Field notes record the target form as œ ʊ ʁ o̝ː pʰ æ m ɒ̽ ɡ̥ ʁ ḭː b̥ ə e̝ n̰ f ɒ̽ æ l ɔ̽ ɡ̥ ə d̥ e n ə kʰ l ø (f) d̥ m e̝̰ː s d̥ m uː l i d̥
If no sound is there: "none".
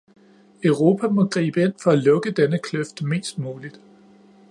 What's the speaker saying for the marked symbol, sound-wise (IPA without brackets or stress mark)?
f